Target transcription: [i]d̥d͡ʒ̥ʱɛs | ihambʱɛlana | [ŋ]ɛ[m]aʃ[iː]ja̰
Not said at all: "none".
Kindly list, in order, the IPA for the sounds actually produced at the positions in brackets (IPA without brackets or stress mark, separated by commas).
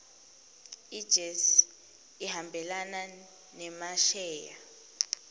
i, n, m, ɛː